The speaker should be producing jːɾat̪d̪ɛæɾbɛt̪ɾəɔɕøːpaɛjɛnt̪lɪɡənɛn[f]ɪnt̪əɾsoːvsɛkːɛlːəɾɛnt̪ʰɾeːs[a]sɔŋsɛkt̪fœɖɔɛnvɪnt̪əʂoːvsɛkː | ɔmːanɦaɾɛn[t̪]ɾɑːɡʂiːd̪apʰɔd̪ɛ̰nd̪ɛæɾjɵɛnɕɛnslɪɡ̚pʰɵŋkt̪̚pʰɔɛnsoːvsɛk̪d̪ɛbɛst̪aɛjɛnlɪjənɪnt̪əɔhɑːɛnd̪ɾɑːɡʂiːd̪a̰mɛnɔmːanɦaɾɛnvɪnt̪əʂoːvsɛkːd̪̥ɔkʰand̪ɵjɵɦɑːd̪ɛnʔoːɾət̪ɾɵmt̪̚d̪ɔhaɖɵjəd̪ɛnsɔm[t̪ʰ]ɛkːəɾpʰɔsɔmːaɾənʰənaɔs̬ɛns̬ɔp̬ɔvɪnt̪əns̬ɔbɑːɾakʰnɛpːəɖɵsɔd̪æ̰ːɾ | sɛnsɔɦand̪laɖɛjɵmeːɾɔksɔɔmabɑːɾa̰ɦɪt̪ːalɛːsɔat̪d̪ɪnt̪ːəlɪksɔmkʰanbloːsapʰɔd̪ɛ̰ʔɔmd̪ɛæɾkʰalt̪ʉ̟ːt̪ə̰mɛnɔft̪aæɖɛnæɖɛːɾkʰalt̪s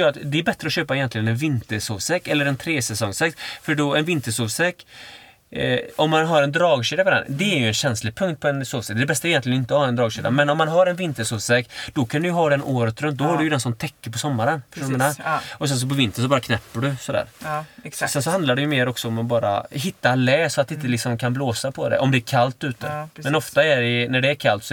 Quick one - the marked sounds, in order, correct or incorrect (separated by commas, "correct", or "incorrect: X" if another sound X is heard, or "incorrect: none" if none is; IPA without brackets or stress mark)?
incorrect: v, incorrect: ɛ, incorrect: d̪, correct